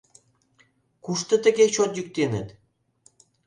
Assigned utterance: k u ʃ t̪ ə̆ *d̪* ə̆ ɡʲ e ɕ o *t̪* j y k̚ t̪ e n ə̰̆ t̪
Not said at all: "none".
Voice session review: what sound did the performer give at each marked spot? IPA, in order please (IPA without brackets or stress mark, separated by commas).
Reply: t̪, t̪